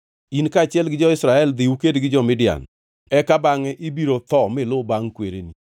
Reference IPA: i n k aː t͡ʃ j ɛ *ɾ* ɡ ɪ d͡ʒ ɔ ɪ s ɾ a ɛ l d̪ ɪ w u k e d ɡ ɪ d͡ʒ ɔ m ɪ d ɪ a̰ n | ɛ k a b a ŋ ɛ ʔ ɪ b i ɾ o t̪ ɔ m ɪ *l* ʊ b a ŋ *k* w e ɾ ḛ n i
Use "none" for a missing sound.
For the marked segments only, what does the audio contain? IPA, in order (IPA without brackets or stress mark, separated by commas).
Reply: l, l, k